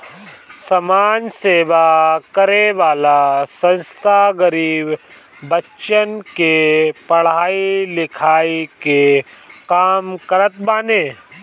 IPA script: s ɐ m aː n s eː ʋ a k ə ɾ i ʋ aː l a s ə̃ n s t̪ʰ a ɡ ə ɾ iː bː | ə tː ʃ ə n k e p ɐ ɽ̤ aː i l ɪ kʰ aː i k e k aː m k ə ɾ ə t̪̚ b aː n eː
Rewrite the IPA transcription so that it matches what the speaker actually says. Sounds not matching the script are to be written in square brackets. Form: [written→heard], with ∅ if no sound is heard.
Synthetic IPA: s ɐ m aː n s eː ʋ a k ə ɾ [i→e] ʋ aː l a s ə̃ n s t̪ʰ a ɡ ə ɾ iː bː | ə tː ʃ ə n k e p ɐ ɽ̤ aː i l ɪ kʰ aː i k e k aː m k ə ɾ ə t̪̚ b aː n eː